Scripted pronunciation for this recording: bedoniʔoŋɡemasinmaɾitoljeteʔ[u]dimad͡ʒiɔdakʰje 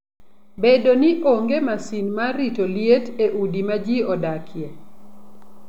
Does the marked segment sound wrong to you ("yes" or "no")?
no